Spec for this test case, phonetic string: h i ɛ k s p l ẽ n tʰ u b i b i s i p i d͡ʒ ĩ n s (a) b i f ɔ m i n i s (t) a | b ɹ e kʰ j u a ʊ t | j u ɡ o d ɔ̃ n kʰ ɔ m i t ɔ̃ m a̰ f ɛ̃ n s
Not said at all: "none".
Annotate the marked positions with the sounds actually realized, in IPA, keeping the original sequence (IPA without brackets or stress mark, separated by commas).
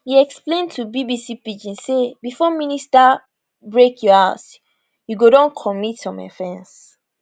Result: e, t